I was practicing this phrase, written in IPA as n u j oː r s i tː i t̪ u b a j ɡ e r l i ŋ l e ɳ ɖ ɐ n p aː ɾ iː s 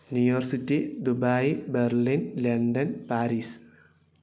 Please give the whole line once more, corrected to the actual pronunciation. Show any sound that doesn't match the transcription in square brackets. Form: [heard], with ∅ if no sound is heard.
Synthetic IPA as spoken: n u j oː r s i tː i [d̪] u b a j [b] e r l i [n] l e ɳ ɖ ɐ n p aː ɾ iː s

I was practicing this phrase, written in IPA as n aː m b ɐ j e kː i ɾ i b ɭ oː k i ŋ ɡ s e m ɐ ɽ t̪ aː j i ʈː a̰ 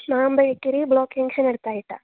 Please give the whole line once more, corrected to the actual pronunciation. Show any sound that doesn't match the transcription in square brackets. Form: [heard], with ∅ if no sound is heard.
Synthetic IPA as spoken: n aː m b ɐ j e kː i ɾ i b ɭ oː k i ŋ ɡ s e [n] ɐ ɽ t̪ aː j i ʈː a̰

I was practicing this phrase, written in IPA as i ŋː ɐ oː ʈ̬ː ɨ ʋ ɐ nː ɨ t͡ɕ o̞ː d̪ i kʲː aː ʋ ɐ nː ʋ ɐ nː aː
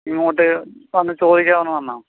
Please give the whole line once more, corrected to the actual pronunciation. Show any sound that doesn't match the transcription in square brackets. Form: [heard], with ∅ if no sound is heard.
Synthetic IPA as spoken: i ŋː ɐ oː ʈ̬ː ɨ ʋ ɐ nː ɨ t͡ɕ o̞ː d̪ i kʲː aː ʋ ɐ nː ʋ ɐ nː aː

